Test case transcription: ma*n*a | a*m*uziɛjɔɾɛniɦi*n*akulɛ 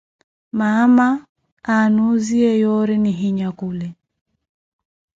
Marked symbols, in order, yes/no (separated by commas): no, no, no